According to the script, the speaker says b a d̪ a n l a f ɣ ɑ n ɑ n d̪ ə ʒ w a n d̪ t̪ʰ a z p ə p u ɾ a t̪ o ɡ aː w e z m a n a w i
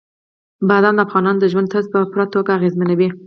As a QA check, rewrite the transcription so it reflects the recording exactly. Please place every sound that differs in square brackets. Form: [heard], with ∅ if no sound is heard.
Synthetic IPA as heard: b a d̪ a n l a f ɣ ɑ n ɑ n d̪ ə ʒ w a n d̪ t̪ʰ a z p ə p u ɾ a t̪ o ɡ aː [ɣ] e z m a n a w i

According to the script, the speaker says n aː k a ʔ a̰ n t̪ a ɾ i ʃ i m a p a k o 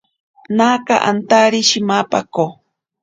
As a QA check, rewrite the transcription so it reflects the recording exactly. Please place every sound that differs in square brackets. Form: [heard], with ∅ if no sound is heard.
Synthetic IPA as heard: n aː k a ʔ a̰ n t̪ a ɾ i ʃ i m a p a k o

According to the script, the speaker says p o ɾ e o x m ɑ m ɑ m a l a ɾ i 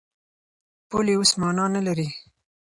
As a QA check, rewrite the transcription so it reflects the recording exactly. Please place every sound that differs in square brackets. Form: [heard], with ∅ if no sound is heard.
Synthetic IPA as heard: p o [l] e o [s] m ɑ [n] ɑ [n] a l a ɾ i

